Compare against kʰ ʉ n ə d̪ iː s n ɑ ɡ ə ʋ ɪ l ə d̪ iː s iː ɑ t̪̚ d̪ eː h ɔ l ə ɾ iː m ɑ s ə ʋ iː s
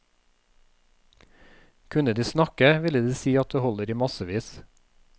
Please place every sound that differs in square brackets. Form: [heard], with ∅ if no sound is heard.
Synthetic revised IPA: kʰ ʉ n ə d̪ iː s n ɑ [k] ə ʋ ɪ l ə d̪ iː s iː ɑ t̪̚ d̪ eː h ɔ l ə ɾ iː m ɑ s ə ʋ iː s

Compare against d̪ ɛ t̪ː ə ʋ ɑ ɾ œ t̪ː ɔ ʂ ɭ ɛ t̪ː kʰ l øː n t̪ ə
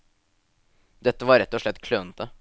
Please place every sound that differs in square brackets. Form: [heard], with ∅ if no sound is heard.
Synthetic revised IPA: d̪ ɛ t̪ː ə ʋ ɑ ɾ [ɛ] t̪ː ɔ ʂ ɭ ɛ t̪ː kʰ l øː n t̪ ə

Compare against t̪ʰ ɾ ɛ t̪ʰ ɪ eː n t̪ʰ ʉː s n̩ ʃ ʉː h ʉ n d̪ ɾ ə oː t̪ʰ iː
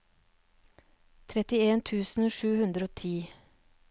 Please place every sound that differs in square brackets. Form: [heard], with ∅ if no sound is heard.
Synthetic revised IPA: t̪ʰ ɾ ɛ [t̪] ɪ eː n t̪ʰ ʉː s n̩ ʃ ʉː h ʉ n d̪ ɾ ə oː t̪ʰ iː

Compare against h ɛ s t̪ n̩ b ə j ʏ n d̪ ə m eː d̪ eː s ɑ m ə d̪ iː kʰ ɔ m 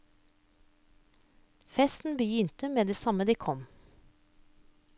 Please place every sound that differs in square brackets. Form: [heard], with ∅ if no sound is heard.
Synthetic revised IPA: [f] ɛ s t̪ n̩ b ə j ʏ n [t̪] ə m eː d̪ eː s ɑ m ə d̪ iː kʰ ɔ m

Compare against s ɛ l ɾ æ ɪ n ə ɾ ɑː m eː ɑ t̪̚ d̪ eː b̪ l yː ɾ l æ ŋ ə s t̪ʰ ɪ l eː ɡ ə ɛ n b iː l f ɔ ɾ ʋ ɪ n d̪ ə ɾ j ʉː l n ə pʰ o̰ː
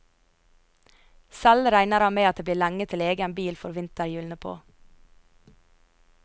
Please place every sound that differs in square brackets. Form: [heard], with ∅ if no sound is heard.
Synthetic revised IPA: s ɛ l ɾ æ ɪ n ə ɾ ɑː m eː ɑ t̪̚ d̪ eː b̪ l [iː] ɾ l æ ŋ ə [∅] t̪ʰ ɪ l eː ɡ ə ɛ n b iː l f ɔ ɾ ʋ ɪ n [t̪] ə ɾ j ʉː l n ə pʰ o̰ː

